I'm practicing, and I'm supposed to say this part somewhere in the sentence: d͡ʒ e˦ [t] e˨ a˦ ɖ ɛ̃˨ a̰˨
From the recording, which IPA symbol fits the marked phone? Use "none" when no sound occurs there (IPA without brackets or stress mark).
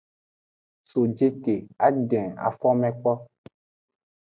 t